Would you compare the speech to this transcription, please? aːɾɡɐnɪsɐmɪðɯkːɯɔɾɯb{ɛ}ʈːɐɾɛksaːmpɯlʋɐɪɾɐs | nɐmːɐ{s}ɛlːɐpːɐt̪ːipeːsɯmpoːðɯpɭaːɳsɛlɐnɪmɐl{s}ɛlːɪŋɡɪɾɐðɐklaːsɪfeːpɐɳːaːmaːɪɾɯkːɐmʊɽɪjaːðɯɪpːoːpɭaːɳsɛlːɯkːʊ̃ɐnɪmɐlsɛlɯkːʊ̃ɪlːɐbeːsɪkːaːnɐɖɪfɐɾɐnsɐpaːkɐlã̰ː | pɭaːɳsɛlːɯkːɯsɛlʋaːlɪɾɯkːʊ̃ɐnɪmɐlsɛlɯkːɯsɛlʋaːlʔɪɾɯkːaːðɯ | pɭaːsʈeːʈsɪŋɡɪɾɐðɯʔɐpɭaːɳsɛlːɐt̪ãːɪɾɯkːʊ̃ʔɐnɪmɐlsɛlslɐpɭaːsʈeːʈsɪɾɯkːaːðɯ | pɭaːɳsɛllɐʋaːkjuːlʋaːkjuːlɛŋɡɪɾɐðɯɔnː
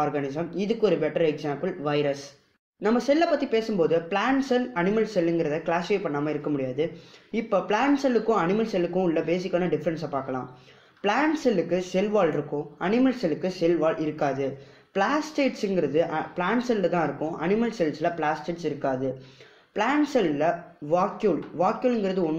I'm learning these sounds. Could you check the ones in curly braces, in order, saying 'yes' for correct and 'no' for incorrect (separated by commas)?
yes, yes, yes